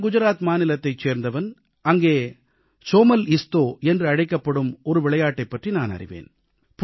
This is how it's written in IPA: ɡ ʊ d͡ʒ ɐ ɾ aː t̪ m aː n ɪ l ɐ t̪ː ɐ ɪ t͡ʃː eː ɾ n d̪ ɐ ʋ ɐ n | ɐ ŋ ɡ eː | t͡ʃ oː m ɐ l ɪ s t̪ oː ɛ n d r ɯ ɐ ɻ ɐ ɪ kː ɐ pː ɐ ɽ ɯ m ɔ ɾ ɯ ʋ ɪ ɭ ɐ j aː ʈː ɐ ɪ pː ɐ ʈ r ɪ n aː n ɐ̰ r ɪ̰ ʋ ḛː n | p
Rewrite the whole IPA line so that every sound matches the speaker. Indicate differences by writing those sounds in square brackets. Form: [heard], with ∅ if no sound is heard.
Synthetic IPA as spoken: ɡ ʊ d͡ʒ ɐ ɾ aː t̪ m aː n ɪ l ɐ t̪ː ɐ ɪ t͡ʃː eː ɾ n d̪ ɐ ʋ ɐ n | ɐ ŋ ɡ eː | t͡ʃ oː m ɐ l ɪ s t̪ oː ɛ n d r ɯ ɐ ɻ ɐ ɪ kː ɐ pː ɐ ɽ ɯ m ɔ ɾ ɯ ʋ ɪ ɭ ɐ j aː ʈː ɐ ɪ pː ɐ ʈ r [i] n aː n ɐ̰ r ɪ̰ ʋ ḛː n | p

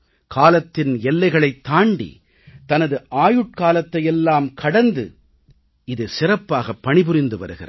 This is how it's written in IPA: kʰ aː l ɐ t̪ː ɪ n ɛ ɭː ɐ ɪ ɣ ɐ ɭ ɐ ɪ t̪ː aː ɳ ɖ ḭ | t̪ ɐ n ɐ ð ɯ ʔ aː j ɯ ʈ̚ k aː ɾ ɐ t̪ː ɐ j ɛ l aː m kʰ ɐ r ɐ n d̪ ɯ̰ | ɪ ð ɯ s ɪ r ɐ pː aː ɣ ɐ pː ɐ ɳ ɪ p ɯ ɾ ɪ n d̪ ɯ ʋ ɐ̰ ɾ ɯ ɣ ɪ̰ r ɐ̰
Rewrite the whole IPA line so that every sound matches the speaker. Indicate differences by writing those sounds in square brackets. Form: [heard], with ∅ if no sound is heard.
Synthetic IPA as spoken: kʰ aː l ɐ t̪ː ɪ n ɛ [lː] ɐ ɪ ɣ ɐ ɭ ɐ ɪ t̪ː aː ɳ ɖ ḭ | t̪ ɐ n ɐ ð ɯ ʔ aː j ɯ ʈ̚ k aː [l] ɐ t̪ː ɐ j ɛ [lː] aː m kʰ ɐ [ɽ] ɐ n d̪ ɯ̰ | ɪ ð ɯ s ɪ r ɐ pː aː ɣ ɐ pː ɐ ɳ ɪ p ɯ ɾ ɪ n d̪ ɯ ʋ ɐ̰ ɾ ɯ ɣ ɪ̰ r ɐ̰

